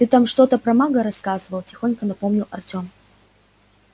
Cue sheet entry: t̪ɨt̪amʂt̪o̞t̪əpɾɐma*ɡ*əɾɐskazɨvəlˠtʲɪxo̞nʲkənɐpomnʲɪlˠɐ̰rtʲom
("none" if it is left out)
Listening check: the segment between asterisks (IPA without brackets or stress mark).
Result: ɡ